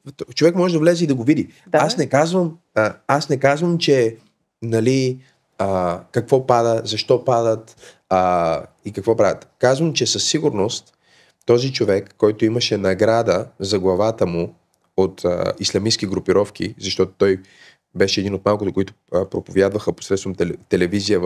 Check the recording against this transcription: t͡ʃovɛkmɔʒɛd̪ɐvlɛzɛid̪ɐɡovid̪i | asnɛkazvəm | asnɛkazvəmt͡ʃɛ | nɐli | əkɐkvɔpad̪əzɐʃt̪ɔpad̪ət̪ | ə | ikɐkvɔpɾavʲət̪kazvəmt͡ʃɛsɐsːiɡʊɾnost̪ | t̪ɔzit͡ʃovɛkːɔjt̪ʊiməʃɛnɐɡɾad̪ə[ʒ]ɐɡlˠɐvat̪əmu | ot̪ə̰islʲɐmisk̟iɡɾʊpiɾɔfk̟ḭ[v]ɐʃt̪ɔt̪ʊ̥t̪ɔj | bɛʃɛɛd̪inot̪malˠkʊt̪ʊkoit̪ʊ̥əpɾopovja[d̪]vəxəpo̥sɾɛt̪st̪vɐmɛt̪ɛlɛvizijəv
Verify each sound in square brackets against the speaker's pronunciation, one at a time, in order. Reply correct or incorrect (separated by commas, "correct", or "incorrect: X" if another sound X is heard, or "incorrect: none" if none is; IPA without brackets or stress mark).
incorrect: z, incorrect: z, correct